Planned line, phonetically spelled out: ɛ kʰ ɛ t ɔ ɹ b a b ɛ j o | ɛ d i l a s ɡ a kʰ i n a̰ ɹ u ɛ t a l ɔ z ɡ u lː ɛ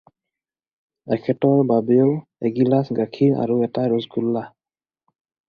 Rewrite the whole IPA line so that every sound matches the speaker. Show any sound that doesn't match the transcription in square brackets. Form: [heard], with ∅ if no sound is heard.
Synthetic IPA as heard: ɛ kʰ ɛ t ɔ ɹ b a b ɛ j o | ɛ [ɡ] i l a s ɡ a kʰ i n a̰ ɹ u ɛ t a [ɹ] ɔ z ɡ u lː [a]